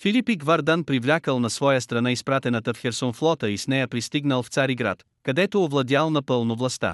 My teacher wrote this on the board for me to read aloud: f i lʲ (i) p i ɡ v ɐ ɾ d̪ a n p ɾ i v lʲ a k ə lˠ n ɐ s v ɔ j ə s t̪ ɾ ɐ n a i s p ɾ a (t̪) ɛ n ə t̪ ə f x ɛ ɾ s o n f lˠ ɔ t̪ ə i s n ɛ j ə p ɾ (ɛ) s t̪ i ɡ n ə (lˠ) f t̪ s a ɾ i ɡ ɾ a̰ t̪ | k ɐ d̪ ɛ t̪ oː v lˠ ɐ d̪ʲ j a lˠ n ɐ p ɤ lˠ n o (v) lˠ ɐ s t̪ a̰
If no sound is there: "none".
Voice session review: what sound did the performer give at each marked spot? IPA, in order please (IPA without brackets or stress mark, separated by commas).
i, t̪, i, lˠ, v